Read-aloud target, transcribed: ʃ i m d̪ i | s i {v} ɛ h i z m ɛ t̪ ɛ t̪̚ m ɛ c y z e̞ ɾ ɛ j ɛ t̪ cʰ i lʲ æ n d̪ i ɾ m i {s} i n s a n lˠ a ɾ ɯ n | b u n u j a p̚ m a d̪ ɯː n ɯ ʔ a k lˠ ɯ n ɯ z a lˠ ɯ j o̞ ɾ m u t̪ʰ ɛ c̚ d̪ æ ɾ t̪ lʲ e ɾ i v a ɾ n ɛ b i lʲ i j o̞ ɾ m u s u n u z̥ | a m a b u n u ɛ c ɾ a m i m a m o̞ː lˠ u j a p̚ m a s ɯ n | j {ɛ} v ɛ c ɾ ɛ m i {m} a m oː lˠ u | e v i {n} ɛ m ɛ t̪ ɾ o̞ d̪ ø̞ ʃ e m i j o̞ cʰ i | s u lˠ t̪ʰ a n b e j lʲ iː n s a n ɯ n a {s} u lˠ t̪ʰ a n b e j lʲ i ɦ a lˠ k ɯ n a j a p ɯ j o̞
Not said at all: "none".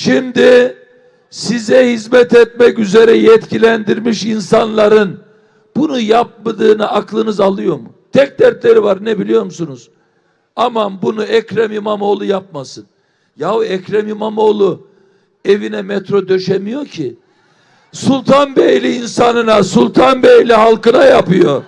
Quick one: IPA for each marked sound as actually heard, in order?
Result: z, ʃ, a, m, n, s

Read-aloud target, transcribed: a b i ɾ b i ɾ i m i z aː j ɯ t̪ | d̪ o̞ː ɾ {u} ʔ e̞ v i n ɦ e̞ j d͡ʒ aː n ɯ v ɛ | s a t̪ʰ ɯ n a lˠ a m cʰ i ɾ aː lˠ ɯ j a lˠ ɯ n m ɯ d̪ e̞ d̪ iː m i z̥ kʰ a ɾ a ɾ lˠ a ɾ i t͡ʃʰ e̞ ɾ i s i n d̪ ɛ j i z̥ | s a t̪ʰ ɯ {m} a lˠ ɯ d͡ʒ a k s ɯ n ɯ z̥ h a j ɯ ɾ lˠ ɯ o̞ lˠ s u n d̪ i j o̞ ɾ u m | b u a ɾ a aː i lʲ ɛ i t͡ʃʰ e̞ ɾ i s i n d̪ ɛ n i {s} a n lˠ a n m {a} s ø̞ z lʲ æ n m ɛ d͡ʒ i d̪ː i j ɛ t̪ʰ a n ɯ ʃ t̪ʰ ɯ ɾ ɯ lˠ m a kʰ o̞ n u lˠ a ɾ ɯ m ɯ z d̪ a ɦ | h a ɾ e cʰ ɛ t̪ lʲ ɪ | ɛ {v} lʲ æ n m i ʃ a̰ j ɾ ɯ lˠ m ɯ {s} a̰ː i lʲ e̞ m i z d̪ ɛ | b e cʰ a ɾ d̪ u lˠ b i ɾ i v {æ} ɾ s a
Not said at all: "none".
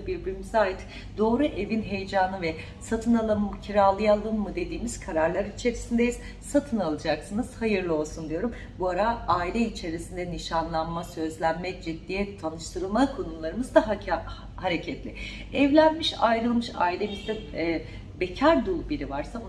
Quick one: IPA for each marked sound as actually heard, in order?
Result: u, n, ʃ, a, v, ʃ, a

